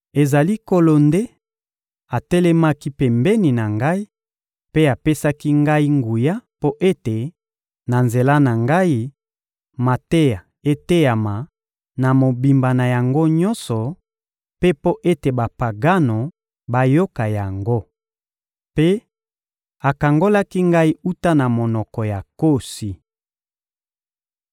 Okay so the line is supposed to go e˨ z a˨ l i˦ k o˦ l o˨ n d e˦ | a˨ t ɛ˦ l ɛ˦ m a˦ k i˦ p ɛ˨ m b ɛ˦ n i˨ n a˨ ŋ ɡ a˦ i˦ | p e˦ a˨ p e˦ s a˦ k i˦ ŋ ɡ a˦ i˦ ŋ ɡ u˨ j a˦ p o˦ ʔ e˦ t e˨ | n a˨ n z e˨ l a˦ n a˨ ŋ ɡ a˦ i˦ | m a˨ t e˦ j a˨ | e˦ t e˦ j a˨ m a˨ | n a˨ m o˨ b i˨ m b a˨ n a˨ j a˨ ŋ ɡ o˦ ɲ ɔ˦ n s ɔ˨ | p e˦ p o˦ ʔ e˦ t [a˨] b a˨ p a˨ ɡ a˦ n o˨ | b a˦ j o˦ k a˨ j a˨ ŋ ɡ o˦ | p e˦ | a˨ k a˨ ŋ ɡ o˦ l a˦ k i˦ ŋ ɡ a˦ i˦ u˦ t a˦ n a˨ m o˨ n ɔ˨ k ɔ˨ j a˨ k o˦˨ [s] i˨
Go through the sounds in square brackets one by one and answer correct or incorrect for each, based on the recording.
incorrect, correct

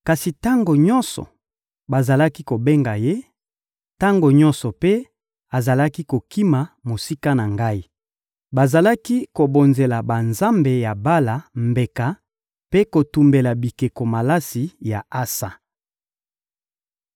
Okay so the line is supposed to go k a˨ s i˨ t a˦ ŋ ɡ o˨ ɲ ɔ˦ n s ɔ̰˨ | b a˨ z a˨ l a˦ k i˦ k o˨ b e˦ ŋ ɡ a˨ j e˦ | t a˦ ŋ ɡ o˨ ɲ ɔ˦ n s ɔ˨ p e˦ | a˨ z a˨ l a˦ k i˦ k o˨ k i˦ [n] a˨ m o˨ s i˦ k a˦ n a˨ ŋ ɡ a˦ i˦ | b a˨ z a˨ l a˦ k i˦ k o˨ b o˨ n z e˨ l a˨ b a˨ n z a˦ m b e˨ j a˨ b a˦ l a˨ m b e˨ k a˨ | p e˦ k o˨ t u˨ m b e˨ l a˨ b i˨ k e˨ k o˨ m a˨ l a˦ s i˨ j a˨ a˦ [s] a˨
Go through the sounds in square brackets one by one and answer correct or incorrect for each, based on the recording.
incorrect, correct

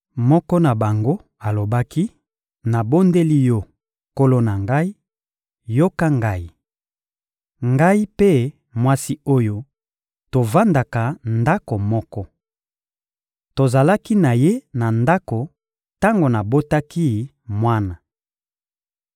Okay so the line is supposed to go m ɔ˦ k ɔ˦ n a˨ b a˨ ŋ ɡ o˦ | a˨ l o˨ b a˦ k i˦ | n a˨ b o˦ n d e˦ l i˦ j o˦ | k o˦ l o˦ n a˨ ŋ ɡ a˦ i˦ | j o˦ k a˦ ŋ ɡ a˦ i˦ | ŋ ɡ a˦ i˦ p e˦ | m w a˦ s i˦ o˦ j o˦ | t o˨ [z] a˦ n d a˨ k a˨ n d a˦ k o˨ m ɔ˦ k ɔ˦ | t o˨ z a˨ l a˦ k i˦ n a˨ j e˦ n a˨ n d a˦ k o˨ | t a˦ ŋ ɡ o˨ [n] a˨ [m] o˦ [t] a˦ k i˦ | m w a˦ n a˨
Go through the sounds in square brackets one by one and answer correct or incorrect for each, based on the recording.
incorrect, correct, incorrect, correct

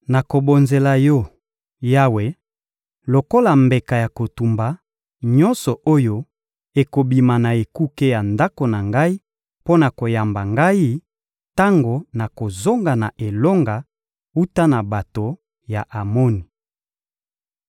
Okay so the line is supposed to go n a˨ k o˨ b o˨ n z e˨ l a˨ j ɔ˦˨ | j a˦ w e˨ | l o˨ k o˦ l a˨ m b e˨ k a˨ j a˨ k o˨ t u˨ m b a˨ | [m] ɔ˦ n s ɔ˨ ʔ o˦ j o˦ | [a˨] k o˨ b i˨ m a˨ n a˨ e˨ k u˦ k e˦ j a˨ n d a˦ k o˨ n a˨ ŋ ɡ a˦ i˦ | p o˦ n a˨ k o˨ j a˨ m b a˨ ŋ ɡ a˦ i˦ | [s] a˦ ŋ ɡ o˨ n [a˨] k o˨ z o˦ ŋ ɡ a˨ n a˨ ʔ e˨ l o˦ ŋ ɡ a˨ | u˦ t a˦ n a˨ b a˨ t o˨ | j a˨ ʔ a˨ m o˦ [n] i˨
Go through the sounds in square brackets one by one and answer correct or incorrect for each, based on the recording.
incorrect, incorrect, incorrect, correct, correct

